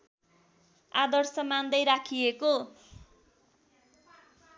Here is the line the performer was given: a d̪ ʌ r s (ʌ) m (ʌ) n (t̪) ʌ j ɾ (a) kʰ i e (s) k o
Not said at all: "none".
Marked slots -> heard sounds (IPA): ʌ, a, d̪, a, none

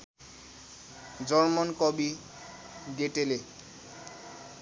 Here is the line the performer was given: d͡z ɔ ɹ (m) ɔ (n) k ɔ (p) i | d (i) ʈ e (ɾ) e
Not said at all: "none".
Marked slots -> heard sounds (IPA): m, n, b, e, l

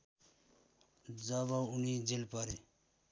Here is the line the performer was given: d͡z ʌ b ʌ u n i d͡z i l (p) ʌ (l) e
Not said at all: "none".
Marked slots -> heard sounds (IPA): p, ɾ

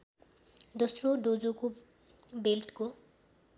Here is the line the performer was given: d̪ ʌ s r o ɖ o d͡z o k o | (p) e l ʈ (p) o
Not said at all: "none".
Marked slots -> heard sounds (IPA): b, k

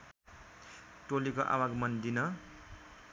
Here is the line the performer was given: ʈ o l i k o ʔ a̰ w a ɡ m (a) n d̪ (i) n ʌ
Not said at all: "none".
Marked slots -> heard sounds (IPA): ʌ, i

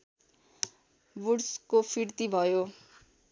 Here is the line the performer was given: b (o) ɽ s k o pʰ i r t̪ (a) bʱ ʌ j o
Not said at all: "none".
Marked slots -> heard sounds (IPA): u, i

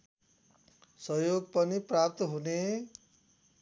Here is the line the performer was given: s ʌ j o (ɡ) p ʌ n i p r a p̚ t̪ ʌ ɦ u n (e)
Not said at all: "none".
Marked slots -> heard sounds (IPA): ɡ, e

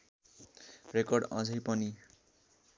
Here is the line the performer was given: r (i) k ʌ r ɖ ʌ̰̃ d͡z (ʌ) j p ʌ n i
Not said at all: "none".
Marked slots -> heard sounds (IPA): e, ʌ

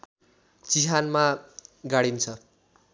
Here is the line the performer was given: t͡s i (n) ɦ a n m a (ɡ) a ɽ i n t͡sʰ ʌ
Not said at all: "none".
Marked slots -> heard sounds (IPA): none, ɡ

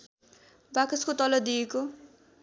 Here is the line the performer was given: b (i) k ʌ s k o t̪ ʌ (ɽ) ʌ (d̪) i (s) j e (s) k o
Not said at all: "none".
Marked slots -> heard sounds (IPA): a, l, d̪, none, none

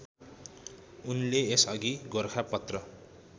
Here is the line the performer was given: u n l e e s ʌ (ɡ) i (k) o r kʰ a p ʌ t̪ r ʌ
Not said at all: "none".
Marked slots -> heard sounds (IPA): ɡ, ɡ

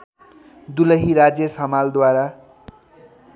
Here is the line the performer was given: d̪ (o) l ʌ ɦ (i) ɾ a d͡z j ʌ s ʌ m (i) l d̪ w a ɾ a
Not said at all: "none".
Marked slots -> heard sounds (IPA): u, i, a

